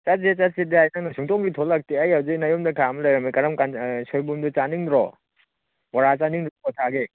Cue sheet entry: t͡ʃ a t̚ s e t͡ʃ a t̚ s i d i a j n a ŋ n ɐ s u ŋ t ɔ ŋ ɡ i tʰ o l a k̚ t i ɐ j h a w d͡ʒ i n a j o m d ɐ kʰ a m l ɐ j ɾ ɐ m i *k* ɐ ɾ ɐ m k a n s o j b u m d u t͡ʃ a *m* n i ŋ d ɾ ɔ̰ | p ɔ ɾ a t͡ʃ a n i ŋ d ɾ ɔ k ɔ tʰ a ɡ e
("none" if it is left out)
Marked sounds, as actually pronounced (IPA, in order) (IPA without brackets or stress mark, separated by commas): k, none